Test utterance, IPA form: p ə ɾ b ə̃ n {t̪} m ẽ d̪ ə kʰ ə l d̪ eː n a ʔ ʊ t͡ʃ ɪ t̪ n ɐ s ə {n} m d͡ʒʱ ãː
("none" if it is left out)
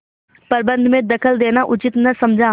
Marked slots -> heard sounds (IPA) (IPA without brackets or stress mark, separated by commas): d̪, none